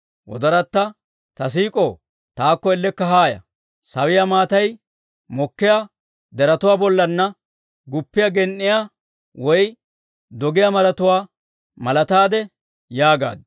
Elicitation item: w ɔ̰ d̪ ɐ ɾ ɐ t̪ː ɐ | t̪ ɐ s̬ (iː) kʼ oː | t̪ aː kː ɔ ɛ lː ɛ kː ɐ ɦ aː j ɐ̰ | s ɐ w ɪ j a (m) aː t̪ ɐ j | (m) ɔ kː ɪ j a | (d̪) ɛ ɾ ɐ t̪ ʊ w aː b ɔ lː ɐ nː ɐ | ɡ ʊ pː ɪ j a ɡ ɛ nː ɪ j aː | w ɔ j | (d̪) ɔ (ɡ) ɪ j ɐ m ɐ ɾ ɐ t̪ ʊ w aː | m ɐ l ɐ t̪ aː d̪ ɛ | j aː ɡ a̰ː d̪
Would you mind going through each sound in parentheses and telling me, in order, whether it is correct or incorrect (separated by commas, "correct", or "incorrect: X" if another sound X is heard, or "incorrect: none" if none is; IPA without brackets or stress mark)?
correct, correct, correct, correct, correct, correct